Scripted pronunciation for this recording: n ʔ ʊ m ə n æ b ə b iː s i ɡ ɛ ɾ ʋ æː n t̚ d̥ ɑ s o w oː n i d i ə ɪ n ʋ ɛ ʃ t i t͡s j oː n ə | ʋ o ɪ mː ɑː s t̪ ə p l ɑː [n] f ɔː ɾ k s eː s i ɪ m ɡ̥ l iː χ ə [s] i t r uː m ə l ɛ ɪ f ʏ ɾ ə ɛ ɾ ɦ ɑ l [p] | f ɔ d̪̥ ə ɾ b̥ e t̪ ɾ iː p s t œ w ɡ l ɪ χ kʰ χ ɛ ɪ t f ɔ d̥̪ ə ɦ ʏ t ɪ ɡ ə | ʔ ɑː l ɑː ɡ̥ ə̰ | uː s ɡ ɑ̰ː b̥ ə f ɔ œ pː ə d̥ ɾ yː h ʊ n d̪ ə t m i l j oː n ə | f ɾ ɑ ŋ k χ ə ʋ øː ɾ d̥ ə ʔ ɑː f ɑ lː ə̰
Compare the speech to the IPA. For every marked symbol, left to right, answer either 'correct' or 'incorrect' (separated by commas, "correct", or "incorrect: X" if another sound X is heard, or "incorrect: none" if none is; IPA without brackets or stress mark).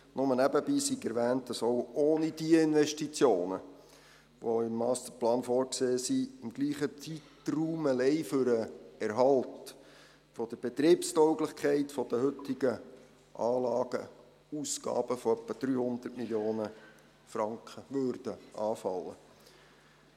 correct, incorrect: t͡s, incorrect: t